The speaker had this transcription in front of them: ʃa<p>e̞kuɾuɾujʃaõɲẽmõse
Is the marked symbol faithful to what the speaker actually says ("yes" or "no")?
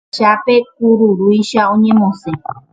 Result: yes